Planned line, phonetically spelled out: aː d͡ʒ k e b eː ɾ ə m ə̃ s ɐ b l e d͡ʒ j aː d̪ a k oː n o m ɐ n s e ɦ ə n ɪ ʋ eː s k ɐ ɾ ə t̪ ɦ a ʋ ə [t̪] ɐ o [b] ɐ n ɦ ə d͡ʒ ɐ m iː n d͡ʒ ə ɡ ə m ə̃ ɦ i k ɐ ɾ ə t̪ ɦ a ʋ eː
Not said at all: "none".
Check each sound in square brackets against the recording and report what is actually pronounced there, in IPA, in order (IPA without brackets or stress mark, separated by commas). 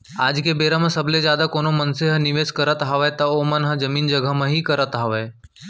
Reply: t̪, m